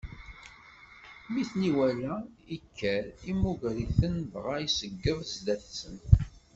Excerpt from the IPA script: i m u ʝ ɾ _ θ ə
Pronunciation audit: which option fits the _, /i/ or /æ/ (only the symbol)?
i